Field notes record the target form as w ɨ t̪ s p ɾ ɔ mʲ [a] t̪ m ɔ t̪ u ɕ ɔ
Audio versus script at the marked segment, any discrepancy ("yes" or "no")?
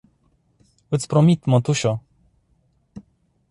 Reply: yes